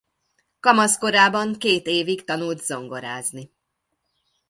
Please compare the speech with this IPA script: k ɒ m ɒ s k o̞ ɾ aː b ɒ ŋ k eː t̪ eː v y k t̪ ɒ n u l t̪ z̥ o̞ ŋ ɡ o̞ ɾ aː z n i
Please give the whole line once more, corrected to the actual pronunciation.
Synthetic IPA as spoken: k ɒ m ɒ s k o̞ ɾ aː b ɒ ŋ k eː t̪ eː v i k t̪ ɒ n u l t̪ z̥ o̞ ŋ ɡ o̞ ɾ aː z n i